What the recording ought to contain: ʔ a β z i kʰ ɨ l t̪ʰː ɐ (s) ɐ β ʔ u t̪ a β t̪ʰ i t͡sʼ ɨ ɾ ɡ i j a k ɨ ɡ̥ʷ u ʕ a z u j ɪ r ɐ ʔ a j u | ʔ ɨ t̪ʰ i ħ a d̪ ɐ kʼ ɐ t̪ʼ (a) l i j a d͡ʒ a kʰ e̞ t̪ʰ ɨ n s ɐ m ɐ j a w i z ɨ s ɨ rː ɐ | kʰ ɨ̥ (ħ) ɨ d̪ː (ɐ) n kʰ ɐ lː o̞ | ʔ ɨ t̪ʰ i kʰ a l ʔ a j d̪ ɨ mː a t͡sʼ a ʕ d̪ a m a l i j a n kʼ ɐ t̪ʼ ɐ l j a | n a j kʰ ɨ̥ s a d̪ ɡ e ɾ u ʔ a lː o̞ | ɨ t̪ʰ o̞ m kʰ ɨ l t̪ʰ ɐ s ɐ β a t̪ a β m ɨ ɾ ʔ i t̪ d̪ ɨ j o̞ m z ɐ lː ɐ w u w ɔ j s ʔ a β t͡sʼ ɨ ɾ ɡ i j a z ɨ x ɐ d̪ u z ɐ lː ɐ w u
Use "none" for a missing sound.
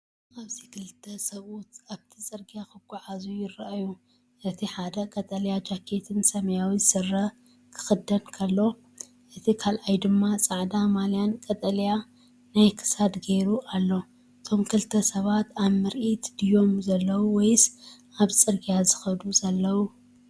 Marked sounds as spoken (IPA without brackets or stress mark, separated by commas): s, ɐ, x, ɐ